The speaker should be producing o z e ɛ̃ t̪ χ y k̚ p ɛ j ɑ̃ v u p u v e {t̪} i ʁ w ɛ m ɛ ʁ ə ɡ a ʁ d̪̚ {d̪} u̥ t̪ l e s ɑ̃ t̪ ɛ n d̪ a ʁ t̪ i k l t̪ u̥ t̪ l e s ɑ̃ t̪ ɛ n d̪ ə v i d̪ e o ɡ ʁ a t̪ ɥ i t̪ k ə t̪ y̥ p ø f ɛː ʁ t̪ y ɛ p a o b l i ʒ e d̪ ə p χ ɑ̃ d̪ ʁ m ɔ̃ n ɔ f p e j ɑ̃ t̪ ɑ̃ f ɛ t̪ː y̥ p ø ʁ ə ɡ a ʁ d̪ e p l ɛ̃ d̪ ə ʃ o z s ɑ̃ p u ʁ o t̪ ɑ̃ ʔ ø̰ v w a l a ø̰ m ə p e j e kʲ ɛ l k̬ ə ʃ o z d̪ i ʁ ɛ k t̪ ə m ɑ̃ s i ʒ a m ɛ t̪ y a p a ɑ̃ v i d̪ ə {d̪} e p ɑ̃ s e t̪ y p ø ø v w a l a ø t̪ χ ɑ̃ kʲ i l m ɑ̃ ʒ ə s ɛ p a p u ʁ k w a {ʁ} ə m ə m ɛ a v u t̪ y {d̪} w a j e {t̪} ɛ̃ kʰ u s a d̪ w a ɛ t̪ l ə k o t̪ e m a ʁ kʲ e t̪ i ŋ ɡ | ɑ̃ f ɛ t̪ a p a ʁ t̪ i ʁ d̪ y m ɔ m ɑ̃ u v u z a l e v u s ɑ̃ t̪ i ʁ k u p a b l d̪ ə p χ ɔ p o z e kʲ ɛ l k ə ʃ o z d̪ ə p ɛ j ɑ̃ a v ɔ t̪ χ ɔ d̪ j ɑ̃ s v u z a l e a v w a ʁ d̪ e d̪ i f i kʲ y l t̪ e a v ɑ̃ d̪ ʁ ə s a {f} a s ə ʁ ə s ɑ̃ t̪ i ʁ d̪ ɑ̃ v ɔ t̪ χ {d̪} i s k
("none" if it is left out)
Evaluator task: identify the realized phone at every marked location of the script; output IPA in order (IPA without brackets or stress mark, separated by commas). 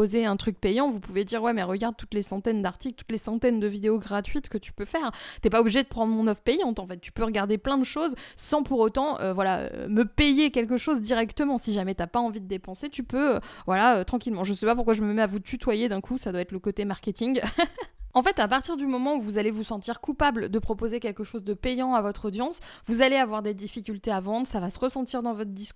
d̪, t̪, d̪, ʒ, t̪, d̪, v, d̪